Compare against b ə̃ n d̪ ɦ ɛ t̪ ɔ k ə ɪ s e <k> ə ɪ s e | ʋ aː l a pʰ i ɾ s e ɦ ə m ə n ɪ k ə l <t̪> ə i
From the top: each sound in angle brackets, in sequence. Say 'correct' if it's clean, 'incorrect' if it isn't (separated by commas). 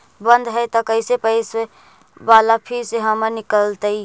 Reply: incorrect, correct